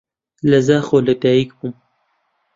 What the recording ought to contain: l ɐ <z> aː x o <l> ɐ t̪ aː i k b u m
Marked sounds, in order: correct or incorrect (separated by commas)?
correct, correct